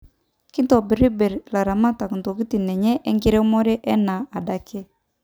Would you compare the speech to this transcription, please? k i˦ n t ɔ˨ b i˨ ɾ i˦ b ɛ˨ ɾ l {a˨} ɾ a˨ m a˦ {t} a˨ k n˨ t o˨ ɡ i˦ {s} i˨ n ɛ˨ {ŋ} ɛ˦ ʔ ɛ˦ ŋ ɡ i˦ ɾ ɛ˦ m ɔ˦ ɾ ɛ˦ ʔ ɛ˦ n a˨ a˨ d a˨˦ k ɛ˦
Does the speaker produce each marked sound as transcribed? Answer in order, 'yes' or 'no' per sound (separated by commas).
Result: yes, yes, no, no